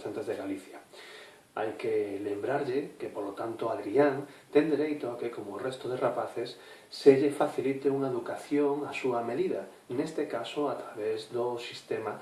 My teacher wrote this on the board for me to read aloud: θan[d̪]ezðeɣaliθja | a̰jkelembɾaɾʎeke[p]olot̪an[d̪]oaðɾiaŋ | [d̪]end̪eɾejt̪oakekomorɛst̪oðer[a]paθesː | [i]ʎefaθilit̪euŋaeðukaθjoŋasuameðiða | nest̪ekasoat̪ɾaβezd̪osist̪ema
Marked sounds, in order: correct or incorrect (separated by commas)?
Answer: incorrect, correct, incorrect, incorrect, correct, incorrect